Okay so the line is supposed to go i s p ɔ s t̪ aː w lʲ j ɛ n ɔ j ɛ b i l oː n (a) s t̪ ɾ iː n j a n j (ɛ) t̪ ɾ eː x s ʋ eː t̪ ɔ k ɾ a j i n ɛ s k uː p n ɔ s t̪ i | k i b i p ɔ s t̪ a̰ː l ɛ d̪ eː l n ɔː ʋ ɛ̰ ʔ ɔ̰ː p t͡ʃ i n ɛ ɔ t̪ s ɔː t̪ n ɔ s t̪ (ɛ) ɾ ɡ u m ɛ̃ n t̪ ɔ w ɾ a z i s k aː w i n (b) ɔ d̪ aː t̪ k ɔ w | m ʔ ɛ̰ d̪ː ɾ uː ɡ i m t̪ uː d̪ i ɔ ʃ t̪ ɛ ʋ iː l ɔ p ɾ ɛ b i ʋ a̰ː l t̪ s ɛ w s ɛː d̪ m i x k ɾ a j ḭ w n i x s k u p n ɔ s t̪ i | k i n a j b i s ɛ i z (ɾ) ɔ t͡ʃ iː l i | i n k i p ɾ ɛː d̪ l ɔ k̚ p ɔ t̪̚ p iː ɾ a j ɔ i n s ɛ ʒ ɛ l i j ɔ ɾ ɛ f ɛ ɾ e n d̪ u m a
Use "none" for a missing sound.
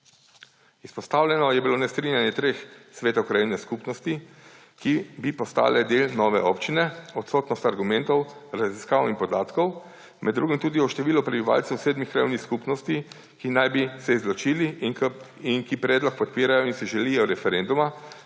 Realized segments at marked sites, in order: ɛ, ɛ, a, p, l

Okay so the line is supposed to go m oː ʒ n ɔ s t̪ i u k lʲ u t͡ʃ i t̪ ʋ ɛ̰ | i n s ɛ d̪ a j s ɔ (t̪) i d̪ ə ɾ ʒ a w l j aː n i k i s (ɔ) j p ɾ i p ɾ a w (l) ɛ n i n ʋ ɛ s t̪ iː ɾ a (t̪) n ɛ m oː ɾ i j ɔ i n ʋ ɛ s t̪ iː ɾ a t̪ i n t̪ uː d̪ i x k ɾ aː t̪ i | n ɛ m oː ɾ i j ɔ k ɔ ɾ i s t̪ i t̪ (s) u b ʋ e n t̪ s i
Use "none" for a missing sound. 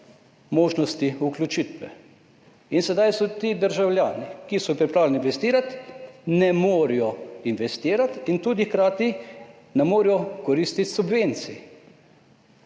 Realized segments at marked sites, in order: t̪, ɔ, l, t̪, s

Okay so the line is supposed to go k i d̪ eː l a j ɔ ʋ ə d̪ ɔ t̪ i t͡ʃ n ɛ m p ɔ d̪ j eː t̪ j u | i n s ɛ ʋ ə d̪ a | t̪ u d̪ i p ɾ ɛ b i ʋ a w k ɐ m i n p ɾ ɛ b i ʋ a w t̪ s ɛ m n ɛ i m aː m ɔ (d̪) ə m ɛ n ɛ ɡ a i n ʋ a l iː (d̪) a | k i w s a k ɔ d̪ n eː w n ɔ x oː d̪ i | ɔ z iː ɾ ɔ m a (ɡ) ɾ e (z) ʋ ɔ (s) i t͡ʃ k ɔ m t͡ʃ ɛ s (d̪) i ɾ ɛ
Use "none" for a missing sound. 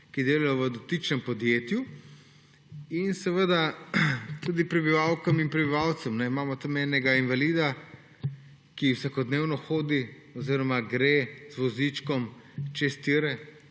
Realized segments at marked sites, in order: t̪, d̪, ɡ, z, z, t̪

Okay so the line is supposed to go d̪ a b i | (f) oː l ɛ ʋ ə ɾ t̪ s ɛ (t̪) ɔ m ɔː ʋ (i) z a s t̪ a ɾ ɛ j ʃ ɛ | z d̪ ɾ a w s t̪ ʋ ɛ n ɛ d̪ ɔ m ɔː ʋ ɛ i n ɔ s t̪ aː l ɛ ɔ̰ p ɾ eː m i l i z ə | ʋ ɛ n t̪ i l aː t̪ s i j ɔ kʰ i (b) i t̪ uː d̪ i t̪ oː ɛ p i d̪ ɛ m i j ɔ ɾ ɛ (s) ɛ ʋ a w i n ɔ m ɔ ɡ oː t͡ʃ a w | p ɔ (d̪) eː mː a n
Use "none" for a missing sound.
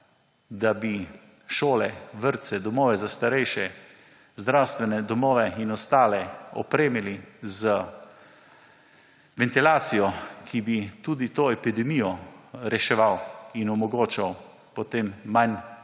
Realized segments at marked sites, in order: ʃ, d̪, ɛ, b, ʃ, t̪

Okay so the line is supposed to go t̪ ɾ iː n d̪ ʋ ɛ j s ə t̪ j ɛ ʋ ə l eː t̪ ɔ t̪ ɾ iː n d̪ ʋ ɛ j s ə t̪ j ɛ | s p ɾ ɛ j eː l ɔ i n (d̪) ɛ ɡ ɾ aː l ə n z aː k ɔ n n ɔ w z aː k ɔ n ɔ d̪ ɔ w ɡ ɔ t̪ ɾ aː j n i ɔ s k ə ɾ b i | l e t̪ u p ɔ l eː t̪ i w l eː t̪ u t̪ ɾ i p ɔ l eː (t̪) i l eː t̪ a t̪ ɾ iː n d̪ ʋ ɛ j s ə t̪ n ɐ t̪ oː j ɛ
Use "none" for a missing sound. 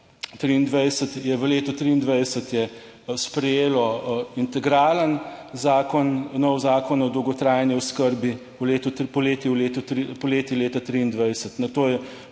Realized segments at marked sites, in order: t̪, t̪

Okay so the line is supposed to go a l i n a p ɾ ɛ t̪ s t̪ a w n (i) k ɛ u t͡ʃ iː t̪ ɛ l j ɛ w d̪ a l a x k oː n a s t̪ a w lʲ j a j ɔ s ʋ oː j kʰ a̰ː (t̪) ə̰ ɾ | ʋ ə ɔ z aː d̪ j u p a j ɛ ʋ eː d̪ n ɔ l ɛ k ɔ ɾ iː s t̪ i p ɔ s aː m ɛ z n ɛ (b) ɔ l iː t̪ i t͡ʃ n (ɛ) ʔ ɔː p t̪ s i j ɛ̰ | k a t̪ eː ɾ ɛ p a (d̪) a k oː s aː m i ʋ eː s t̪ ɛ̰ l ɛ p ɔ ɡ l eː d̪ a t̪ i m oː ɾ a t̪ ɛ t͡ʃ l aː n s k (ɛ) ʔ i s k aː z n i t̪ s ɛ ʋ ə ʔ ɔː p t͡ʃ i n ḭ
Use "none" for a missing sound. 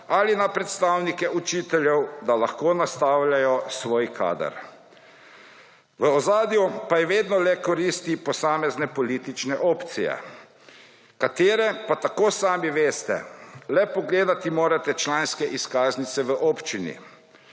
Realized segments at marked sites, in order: i, d̪, p, ɛ, t̪, ɛ

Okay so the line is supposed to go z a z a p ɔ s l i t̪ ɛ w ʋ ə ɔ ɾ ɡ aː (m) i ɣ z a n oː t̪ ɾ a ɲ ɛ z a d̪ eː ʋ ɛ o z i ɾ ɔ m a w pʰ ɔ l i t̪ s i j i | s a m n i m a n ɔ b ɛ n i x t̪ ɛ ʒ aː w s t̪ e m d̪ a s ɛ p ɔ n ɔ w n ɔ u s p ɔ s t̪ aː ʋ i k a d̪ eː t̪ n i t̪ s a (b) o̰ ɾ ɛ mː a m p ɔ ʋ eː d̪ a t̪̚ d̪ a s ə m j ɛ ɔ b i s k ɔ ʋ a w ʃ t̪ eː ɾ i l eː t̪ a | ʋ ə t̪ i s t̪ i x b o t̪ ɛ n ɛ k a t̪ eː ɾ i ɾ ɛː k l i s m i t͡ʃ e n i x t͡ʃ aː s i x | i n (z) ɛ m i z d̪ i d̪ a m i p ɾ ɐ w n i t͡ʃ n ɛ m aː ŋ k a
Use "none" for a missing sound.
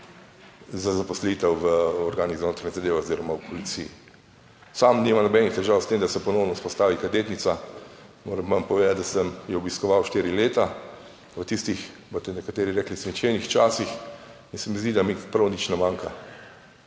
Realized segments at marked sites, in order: n, m, s

